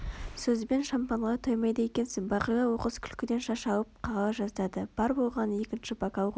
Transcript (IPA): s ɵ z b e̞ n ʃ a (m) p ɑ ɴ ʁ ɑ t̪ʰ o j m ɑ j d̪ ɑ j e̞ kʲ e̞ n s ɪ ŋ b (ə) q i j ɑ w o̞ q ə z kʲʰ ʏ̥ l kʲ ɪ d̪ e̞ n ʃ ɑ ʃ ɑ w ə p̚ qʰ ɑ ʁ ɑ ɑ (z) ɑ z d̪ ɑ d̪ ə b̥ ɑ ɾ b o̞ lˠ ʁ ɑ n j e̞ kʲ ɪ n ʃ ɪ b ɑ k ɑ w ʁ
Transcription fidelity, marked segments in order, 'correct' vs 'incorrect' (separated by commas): correct, incorrect, incorrect